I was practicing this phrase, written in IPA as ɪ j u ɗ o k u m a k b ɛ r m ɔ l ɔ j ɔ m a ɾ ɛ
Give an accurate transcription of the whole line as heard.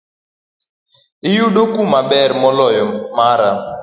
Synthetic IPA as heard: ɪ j u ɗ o k u m a b ɛ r m ɔ l ɔ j ɔ m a ɾ a